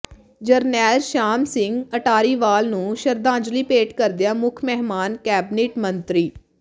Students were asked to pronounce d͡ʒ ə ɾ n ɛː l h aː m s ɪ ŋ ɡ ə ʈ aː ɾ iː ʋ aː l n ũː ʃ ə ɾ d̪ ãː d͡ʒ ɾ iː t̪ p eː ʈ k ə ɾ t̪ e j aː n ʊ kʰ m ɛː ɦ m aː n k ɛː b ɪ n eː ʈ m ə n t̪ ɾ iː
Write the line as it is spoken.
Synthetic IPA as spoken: d͡ʒ ə ɾ n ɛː l ʃ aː m s ɪ ŋ ɡ ə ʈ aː ɾ iː ʋ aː l n ũː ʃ ə ɾ d̪ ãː d͡ʒ l iː p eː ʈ k ə ɾ d̪ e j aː m ʊ kʰ m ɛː ɦ m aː n k ɛː b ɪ n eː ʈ m ə n t̪ ɾ iː